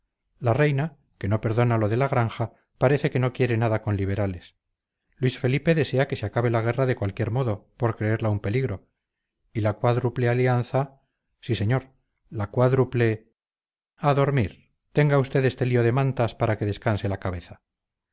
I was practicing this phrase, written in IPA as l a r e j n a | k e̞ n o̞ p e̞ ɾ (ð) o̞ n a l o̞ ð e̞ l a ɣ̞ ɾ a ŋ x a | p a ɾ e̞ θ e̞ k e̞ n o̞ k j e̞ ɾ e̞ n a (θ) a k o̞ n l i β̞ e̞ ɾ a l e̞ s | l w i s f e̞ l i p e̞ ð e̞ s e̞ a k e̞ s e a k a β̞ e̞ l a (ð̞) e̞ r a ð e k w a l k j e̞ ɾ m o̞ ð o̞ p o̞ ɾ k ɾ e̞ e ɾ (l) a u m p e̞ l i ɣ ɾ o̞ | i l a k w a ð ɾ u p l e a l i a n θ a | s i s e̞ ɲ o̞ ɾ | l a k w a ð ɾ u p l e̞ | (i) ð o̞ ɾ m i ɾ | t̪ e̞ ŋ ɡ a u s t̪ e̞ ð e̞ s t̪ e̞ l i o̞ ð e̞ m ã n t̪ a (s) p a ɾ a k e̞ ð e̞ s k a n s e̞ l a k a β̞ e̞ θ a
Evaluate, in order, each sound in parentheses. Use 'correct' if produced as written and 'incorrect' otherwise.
correct, incorrect: ð, incorrect: ɣ̞, correct, incorrect: a, correct

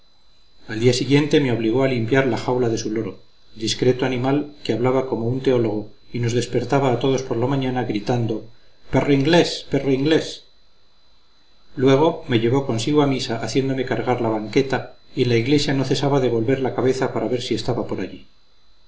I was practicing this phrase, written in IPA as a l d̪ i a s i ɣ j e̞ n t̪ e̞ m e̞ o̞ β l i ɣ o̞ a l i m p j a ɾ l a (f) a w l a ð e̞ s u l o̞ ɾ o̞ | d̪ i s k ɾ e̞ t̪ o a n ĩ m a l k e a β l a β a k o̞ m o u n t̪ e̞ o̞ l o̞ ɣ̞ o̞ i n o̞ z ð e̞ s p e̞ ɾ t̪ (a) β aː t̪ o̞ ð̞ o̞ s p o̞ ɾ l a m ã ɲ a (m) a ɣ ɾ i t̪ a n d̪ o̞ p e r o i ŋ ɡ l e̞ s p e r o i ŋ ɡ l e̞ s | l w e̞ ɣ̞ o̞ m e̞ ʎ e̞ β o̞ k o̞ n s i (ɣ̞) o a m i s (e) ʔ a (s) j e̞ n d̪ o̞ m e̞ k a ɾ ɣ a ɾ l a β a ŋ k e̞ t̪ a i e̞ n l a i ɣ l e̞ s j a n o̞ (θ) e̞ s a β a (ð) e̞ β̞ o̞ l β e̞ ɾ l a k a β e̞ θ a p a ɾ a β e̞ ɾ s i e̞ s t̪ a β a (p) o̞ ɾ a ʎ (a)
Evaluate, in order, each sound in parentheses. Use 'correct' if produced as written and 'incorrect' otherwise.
incorrect: x, correct, incorrect: n, correct, incorrect: a, incorrect: θ, correct, correct, correct, incorrect: i

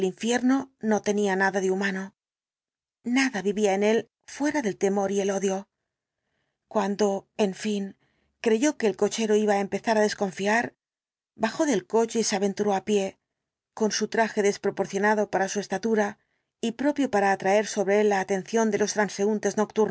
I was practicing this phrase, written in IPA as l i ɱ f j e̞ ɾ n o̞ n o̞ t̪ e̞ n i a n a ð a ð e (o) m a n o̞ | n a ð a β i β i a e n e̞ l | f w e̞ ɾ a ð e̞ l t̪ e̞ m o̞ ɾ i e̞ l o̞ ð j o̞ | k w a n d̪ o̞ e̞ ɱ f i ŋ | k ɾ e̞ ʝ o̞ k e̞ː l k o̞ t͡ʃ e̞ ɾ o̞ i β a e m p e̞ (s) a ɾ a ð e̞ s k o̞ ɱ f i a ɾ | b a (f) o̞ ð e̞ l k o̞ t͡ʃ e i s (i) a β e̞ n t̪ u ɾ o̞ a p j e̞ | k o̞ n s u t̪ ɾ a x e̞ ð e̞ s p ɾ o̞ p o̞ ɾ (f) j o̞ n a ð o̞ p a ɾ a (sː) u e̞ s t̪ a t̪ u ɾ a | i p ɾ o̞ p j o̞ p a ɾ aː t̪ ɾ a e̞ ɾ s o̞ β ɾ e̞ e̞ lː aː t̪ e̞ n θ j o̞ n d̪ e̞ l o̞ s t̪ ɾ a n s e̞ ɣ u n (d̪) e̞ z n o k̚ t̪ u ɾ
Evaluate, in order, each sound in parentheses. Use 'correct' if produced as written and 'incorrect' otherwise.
incorrect: u, incorrect: θ, incorrect: x, incorrect: e, incorrect: θ, incorrect: s, incorrect: t̪

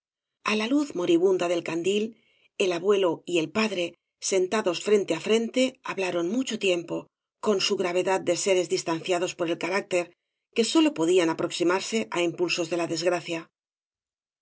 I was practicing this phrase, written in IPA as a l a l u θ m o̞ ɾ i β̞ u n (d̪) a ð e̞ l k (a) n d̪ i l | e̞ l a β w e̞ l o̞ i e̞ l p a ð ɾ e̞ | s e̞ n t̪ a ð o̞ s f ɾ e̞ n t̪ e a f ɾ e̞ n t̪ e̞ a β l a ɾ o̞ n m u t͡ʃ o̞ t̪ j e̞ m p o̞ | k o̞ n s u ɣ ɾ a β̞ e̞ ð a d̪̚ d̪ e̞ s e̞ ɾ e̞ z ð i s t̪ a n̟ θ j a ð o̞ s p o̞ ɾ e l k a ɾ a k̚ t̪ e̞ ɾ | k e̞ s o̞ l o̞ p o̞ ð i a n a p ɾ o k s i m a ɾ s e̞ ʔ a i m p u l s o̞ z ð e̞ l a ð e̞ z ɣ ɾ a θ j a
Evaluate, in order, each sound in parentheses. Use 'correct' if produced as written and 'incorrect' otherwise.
correct, correct

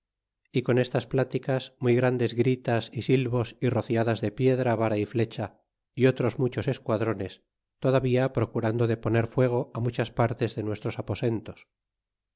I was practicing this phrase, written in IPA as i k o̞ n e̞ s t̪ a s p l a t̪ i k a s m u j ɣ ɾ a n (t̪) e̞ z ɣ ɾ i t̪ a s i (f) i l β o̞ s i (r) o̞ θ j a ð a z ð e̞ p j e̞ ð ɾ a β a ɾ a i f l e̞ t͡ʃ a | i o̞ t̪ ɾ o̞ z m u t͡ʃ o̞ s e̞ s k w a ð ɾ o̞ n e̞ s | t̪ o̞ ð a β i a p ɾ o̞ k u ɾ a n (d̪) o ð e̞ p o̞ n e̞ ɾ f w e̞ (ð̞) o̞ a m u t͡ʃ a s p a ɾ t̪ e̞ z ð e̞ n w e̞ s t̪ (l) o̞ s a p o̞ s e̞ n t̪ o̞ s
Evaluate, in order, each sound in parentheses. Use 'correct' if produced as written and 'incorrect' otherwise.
incorrect: d̪, incorrect: s, correct, correct, incorrect: ɣ̞, incorrect: ɾ

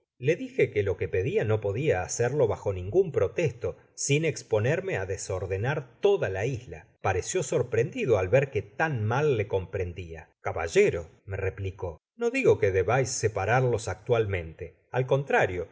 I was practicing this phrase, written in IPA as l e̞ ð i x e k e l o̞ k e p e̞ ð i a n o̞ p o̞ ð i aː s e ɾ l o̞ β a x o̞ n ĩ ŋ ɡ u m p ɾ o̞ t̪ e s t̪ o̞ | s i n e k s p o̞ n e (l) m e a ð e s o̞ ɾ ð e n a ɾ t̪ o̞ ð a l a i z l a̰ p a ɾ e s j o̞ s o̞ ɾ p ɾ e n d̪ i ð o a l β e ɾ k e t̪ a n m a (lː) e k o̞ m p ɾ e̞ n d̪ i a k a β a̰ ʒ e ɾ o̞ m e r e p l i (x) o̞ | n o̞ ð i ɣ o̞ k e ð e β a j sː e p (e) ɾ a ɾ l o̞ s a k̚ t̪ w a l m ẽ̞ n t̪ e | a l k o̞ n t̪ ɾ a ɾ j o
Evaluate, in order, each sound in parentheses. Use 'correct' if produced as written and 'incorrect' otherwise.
incorrect: ɾ, correct, incorrect: k, incorrect: a

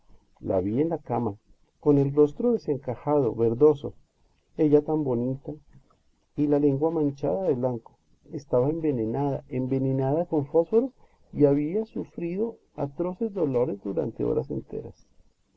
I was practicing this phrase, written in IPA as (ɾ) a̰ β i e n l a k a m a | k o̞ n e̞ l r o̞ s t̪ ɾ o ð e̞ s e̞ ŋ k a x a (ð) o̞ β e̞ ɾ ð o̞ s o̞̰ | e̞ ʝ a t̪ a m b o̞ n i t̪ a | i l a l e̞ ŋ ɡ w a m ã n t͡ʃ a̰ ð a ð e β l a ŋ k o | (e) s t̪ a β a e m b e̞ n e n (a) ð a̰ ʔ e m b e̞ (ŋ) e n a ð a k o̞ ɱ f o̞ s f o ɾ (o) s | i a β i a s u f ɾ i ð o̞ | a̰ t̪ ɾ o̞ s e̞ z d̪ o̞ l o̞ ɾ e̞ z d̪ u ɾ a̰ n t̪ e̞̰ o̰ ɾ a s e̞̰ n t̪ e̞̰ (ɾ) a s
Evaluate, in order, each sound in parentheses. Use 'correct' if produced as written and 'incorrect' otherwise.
incorrect: l, correct, correct, correct, incorrect: n, correct, correct

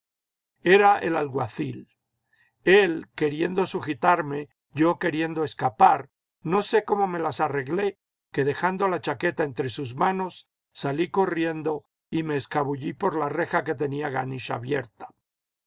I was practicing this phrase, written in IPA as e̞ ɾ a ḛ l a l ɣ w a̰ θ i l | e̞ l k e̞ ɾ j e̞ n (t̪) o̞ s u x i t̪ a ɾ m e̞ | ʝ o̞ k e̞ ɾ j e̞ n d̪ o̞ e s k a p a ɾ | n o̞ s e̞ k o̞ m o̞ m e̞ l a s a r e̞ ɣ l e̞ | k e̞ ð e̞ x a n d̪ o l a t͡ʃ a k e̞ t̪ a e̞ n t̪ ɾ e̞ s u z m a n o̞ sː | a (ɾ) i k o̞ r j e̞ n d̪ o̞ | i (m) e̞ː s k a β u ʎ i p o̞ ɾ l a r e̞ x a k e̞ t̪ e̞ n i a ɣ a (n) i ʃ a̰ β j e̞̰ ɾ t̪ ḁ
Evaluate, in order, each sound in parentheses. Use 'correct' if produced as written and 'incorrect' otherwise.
incorrect: d̪, incorrect: l, correct, correct

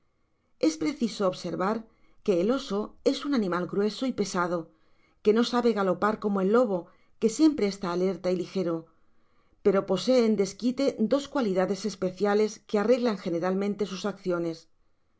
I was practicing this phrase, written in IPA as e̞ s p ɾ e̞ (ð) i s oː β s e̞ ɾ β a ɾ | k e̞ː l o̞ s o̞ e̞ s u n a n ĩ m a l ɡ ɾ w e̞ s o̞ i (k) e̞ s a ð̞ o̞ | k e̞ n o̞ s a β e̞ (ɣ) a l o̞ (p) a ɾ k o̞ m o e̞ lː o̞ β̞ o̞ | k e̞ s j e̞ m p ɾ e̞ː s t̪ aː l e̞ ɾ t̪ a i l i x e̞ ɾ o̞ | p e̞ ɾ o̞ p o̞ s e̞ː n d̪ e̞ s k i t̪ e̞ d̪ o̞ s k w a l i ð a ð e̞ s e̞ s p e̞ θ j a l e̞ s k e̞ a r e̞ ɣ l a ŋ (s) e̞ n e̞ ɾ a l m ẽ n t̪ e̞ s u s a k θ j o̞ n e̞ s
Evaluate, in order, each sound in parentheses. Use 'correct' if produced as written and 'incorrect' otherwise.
incorrect: θ, incorrect: p, correct, correct, incorrect: x

